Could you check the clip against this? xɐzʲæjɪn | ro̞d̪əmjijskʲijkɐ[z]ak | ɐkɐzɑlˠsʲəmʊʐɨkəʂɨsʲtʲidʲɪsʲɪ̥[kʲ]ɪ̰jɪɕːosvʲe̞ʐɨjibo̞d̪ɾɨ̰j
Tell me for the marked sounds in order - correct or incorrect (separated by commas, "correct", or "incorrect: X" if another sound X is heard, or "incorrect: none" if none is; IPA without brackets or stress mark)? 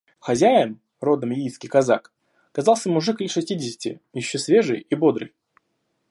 correct, incorrect: tʲ